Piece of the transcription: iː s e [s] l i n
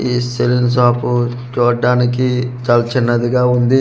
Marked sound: incorrect: none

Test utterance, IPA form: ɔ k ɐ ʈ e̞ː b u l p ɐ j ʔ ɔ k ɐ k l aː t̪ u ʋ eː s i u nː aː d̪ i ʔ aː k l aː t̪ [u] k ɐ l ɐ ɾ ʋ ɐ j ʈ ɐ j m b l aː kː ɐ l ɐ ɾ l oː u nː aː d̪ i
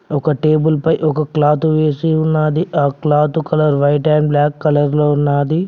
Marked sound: correct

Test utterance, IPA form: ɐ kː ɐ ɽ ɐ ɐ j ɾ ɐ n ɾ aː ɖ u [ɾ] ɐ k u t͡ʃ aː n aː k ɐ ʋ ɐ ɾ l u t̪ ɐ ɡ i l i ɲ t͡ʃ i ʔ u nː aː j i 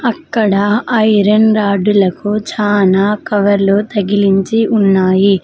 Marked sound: incorrect: l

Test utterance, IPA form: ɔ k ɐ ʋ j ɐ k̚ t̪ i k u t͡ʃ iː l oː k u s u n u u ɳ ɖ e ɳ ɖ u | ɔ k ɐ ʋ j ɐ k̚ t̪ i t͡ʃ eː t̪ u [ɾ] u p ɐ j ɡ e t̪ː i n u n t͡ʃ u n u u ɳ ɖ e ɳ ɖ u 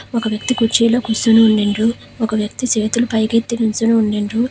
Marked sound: incorrect: l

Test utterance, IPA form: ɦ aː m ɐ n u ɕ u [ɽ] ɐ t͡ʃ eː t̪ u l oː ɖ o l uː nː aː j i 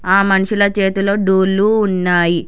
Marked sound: incorrect: l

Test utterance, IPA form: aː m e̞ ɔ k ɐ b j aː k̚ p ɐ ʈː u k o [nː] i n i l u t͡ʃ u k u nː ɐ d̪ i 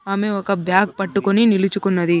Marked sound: incorrect: n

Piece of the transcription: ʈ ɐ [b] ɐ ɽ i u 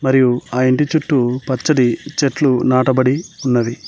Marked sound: correct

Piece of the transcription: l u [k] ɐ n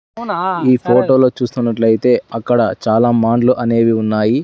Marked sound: incorrect: ʔ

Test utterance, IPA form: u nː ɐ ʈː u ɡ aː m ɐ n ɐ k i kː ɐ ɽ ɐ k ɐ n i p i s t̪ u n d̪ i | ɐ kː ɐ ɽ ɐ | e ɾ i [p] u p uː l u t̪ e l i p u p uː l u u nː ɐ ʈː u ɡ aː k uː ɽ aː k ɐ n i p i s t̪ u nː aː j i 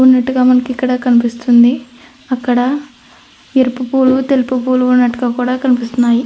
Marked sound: correct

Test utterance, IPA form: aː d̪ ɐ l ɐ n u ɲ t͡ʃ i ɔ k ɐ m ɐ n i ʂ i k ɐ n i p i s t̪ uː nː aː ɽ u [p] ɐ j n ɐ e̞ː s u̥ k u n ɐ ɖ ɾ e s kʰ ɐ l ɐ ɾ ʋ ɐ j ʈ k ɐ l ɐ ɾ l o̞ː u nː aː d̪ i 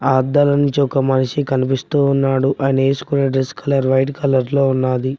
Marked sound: incorrect: ʔ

